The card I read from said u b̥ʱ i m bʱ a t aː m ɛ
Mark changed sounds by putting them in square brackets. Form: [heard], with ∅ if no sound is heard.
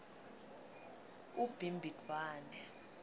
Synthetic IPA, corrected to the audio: u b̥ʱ i m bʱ [i] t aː [n] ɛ